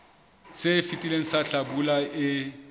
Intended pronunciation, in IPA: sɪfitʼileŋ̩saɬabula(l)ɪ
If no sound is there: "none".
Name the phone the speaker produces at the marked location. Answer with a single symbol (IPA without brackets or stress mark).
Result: none